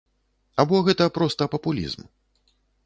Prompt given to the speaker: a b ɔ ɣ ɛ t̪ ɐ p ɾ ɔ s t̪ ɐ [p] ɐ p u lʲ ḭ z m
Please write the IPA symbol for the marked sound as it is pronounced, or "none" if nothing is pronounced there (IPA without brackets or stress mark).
p